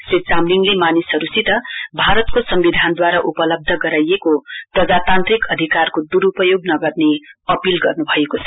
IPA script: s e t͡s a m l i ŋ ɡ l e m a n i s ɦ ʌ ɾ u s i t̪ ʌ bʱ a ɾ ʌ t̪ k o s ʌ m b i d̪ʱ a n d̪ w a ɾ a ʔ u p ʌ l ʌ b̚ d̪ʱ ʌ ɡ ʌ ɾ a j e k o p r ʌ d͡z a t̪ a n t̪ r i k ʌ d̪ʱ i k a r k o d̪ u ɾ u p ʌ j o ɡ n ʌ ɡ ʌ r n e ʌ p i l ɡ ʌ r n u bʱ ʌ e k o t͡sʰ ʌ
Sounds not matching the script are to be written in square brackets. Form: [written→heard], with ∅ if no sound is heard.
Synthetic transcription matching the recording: s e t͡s a m l i ŋ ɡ l e m a n i s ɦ ʌ ɾ u s i t̪ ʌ bʱ a ɾ ʌ t̪ k o s ʌ m b i d̪ʱ a n d̪ w a ɾ a ʔ u p ʌ l ʌ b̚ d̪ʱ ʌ ɡ ʌ ɾ a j e k o p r ʌ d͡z a t̪ a n t̪ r i k ʌ d̪ʱ i k a r k o d̪ u ɾ u p ʌ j o ɡ n ʌ ɡ ʌ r n e ʌ p i l ɡ ʌ r n u bʱ ʌ e k o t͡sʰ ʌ